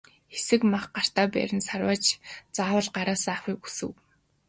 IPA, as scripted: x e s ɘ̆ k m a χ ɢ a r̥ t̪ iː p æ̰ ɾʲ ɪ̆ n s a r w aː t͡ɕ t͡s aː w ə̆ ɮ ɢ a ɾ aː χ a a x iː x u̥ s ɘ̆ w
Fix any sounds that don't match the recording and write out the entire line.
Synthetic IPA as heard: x e s ɘ̆ k m a χ ɢ a r̥ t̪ aː p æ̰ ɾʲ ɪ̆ n s a r w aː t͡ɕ t͡s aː w ə̆ ɮ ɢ a ɾ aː s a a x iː k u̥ s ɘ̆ w